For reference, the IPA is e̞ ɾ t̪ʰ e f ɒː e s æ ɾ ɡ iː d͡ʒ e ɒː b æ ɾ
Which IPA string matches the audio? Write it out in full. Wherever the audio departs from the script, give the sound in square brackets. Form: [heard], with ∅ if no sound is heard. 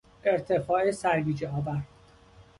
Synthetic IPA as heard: e̞ ɾ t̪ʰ e f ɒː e s æ ɾ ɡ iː d͡ʒ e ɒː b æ ɾ